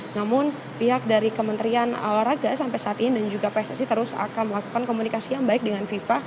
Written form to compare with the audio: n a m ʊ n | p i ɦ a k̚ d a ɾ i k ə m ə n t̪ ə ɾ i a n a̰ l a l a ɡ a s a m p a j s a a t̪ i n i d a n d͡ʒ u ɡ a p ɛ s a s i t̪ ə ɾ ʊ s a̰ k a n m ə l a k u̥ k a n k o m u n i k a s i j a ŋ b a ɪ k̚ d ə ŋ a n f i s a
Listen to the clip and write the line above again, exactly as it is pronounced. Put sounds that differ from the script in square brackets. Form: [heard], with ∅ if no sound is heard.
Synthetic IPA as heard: n a m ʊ n | p i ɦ a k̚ d a ɾ i k ə m ə n t̪ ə ɾ i a n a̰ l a [ɾ] a ɡ a s a m p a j s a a t̪ i n i d a n d͡ʒ u ɡ a p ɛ s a s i t̪ ə ɾ ʊ s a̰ k a n m ə l a k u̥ k a n k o m u n i k a s i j a ŋ b a ɪ k̚ d ə ŋ a n f i [f] a